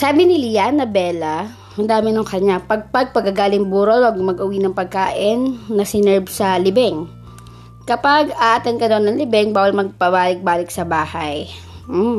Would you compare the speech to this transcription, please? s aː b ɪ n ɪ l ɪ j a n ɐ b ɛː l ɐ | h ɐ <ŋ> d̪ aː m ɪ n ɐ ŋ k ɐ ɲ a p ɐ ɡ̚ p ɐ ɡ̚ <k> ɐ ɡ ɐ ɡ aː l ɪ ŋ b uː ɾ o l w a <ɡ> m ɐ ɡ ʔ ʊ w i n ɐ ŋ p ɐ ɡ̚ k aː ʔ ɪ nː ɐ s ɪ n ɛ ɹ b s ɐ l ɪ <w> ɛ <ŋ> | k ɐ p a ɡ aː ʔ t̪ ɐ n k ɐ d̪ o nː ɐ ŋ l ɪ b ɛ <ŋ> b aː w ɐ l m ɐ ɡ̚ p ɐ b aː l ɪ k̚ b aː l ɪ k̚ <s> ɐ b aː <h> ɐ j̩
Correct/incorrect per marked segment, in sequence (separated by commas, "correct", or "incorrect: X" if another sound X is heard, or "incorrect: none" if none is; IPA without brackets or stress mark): incorrect: n, incorrect: p, correct, incorrect: b, correct, correct, correct, correct